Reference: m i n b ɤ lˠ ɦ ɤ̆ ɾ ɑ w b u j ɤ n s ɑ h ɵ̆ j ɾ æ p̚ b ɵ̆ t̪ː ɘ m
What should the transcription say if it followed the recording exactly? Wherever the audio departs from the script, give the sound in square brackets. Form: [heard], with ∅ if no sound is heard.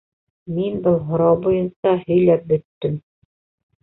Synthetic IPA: m i n b ɤ lˠ ɦ [ŏ] ɾ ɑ w b u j ɤ n s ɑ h ɵ̆ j [l] æ p̚ b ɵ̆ t̪ː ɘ m